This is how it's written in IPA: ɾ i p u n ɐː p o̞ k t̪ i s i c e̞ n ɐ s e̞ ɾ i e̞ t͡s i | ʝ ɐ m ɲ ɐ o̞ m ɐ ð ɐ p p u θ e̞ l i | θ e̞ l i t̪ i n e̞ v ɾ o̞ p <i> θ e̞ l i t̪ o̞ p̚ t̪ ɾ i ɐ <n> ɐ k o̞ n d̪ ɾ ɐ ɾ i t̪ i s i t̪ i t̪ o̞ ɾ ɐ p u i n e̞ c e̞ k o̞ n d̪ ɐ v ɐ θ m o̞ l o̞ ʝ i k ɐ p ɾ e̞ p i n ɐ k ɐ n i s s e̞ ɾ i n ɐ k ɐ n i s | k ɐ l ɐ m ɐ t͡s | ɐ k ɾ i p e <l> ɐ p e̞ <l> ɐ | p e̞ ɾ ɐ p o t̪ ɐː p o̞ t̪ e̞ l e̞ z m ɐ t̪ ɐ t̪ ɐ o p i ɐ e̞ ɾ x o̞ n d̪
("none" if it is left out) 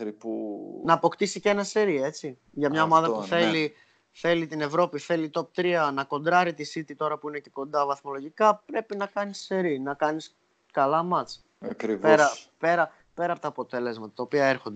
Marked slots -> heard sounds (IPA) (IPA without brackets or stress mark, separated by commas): i, n, ɾ, ɾ